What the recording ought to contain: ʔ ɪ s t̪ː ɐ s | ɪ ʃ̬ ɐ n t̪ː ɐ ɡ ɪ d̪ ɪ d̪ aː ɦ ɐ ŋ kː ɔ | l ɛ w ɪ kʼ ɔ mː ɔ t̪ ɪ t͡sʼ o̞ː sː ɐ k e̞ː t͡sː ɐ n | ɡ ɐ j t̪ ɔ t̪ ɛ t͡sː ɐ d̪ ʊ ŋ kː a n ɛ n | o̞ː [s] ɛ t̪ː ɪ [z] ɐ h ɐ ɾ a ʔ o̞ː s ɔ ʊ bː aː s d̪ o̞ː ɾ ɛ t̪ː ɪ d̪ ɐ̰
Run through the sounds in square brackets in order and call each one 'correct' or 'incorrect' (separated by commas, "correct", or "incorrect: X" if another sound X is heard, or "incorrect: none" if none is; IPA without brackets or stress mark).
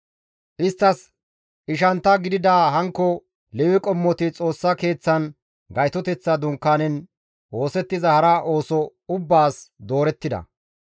correct, correct